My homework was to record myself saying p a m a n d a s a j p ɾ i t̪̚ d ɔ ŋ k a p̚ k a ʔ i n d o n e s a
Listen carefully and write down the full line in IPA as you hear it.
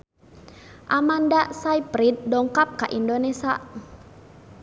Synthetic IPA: ʔ a m a n d a s a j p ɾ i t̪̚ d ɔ ŋ k a p̚ k a ʔ i n d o n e s a